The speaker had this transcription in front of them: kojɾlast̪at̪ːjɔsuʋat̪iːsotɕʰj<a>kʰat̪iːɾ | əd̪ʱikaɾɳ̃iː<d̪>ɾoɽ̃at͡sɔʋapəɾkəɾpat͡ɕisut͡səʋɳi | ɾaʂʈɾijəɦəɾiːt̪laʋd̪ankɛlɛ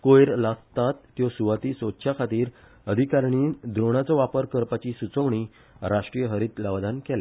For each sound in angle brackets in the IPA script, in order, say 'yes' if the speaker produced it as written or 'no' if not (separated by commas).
yes, yes